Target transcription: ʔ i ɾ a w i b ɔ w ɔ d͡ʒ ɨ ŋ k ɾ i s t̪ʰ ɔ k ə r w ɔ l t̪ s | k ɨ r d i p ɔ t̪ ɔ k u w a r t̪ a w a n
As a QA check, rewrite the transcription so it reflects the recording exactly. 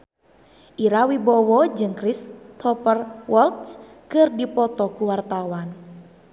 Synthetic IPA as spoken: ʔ i ɾ a w i b ɔ w ɔ d͡ʒ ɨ ŋ k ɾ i s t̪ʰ ɔ p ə r w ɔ l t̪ s | k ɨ r d i p ɔ t̪ ɔ k u w a r t̪ a w a n